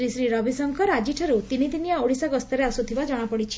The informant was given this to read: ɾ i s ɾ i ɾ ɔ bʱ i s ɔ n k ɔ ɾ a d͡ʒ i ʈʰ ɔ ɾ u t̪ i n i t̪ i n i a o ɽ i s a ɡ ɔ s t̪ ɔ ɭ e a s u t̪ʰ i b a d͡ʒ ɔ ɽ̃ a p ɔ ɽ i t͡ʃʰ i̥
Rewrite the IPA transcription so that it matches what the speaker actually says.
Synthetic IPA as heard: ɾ i s ɾ i ɾ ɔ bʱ i s ɔ ŋ k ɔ ɾ a d͡ʒ i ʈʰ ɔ ɾ u t̪ i n i t̪ i n i a o ɽ i s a ɡ ɔ s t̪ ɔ ɾ e a s u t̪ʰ i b a d͡ʒ ɔ ɽ̃ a p ɔ ɽ i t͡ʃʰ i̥